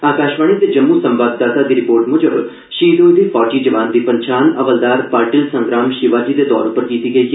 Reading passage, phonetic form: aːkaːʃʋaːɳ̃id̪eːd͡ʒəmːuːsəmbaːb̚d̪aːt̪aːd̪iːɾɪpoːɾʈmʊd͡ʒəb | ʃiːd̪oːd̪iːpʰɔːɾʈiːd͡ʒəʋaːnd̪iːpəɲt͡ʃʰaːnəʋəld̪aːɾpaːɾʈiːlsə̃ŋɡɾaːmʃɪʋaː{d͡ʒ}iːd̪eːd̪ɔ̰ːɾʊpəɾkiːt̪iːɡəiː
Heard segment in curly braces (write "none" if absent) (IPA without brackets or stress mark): d͡ʒ